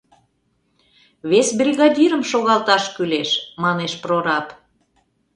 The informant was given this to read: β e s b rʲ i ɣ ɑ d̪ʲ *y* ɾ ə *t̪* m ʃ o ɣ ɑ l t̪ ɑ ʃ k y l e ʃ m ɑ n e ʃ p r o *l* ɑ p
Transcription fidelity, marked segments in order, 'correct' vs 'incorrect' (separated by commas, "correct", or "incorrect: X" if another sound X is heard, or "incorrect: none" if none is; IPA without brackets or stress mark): incorrect: i, incorrect: none, incorrect: ɾ